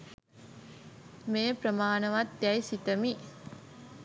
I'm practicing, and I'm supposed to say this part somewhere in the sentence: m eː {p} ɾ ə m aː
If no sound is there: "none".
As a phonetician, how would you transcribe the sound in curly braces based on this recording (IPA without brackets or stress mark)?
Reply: p